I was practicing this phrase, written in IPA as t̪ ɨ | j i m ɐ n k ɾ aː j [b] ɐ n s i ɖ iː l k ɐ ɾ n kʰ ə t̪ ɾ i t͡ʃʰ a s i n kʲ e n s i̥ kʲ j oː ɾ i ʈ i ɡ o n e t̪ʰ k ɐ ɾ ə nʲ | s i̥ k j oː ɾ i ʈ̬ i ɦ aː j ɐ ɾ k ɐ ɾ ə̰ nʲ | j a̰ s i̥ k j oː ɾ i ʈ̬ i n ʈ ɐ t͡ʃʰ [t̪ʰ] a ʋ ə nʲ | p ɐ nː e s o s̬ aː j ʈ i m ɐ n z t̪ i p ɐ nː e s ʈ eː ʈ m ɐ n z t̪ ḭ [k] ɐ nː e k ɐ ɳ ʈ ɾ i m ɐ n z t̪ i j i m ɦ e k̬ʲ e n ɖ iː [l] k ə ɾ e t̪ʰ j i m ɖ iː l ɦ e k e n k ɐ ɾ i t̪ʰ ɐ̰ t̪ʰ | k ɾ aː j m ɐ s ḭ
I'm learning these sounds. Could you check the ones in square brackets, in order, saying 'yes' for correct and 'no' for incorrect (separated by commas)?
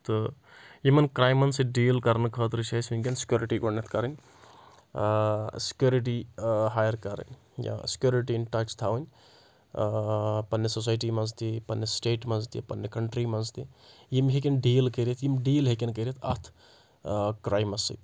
no, yes, no, yes